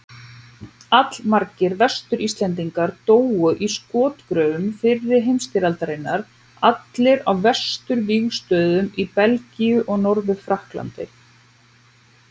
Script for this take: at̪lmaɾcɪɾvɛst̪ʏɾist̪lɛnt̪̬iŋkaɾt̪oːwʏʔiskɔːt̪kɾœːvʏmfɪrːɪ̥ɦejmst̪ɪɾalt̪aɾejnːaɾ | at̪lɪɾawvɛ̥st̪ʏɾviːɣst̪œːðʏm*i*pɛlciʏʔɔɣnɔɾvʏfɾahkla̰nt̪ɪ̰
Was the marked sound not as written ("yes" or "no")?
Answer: no